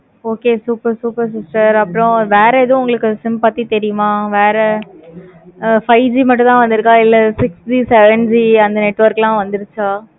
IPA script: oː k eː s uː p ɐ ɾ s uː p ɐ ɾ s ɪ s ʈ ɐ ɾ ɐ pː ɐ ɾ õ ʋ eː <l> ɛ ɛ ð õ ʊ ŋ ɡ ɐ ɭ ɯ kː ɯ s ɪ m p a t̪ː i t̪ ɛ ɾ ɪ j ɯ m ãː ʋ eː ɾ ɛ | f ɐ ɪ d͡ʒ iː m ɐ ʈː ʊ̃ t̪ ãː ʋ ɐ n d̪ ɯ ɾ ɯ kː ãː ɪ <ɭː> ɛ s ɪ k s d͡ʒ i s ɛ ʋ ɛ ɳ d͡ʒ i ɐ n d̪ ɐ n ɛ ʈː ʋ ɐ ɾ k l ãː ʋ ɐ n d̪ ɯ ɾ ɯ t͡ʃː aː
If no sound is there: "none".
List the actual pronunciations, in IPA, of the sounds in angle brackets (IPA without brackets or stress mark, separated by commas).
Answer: ɾ, lː